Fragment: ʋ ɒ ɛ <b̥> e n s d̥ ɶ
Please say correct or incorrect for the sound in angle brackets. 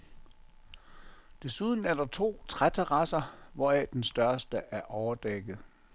incorrect